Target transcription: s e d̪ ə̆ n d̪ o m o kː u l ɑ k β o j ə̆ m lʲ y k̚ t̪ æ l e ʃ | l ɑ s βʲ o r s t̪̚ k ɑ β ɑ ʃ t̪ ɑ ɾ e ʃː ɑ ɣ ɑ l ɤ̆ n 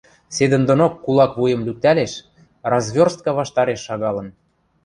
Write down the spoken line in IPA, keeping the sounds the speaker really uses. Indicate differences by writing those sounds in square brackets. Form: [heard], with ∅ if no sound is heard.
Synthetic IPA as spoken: s e d̪ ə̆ n d̪ o [n] o kː u l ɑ k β [u] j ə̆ m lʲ y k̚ t̪ æ l e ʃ | [r] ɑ [z] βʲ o r s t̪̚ k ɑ β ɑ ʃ t̪ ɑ ɾ e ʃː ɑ ɣ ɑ l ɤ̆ n